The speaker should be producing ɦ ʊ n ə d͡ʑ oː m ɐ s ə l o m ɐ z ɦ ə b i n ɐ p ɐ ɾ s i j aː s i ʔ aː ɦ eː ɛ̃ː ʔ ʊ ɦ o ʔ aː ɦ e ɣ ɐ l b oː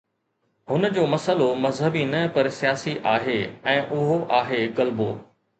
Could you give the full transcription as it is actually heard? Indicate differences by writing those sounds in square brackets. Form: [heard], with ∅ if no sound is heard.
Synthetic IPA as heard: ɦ ʊ n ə d͡ʑ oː m ɐ s ə l o m ɐ z ɦ ə b i n ɐ p ɐ ɾ s i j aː s i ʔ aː ɦ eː ɛ̃ː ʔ ʊ ɦ o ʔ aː ɦ e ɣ ɐ l b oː